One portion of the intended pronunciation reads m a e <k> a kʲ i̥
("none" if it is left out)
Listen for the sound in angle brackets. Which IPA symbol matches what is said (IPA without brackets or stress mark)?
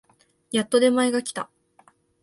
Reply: ɡ